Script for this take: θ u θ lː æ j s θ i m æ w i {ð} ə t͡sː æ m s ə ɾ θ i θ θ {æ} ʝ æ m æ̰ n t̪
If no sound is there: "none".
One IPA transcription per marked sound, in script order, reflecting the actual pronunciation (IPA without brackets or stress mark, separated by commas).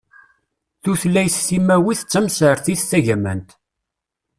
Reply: θ, æ